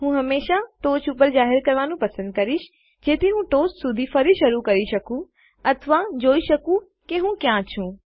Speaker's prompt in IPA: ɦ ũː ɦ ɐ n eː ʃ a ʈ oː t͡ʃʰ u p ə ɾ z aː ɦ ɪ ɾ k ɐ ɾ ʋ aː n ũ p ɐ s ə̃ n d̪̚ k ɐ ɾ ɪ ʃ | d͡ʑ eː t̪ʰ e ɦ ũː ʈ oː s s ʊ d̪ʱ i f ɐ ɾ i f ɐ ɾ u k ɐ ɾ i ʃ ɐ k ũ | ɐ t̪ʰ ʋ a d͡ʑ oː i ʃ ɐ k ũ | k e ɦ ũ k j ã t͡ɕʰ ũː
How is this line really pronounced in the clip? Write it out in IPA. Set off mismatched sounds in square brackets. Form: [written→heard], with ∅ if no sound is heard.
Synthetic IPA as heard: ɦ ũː ɦ ɐ [n→m] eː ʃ a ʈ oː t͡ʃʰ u p ə ɾ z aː ɦ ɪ ɾ k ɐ ɾ ʋ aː n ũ p ɐ s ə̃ n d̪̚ k ɐ ɾ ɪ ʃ | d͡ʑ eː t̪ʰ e ɦ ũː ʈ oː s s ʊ d̪ʱ i f ɐ ɾ i [f→ʃ] ɐ ɾ u k ɐ ɾ i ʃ ɐ k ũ | ɐ t̪ʰ ʋ a d͡ʑ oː i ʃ ɐ k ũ | k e ɦ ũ k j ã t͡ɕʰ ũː